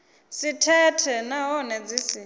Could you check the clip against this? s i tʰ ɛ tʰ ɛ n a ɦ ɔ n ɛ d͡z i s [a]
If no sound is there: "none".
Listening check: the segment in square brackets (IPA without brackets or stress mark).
i